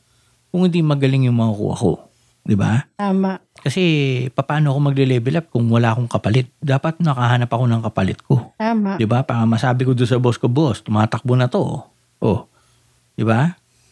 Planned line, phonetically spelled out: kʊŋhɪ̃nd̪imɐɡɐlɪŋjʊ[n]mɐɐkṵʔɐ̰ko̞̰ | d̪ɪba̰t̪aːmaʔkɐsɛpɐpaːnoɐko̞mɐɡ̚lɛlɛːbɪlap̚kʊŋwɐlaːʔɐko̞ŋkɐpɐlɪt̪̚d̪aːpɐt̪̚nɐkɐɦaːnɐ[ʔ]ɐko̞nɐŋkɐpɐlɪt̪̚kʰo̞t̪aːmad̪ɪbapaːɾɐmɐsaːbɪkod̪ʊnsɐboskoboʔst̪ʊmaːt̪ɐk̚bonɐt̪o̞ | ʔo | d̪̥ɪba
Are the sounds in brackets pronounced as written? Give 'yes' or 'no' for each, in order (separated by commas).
no, no